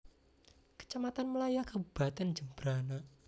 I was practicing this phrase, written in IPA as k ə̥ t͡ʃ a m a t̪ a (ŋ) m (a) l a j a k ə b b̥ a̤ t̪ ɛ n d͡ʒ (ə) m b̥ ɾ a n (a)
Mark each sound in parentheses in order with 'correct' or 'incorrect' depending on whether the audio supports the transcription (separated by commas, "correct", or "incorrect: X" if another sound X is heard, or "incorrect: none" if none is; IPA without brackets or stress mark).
incorrect: n, incorrect: ə, correct, correct